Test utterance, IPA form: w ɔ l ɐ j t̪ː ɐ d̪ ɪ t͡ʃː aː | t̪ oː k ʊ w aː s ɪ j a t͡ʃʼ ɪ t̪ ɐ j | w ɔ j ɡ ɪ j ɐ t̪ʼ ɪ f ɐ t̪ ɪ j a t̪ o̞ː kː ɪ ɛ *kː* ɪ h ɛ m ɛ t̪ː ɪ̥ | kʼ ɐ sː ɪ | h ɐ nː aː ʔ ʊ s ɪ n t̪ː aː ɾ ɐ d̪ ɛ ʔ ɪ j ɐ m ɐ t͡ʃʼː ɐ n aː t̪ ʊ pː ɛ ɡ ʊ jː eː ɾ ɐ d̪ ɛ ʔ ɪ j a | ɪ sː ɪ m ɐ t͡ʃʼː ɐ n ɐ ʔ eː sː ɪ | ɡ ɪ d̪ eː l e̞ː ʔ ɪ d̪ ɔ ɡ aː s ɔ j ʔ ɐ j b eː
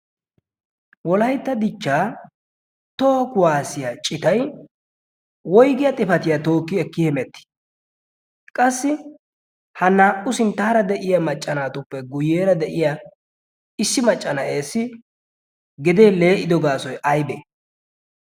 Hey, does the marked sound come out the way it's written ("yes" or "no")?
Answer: yes